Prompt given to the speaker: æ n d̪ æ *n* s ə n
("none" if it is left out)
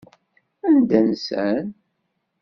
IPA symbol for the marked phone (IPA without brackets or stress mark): n